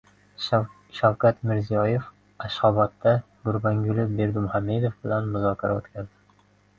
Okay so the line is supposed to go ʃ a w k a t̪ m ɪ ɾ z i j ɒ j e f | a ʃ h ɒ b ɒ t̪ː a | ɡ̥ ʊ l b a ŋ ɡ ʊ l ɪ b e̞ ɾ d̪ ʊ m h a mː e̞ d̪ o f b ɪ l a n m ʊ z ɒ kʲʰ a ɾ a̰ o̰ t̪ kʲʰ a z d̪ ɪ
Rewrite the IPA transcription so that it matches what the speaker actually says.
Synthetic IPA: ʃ a w k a t̪ m ɪ ɾ z i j ɒ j e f | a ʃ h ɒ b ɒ t̪ː a | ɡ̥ ʊ ɾ b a ŋ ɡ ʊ l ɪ b e̞ ɾ d̪ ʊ m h a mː e̞ d̪ o f b ɪ l a n m ʊ z ɒ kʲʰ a ɾ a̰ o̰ t̪ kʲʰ a z d̪ ɪ